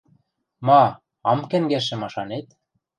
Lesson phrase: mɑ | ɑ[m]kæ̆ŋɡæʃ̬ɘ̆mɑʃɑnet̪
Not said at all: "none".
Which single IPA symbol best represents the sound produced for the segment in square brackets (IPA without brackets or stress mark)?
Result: m